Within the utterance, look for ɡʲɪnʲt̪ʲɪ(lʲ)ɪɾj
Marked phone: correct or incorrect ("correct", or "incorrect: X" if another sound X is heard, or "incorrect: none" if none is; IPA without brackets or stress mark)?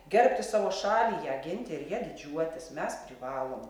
incorrect: none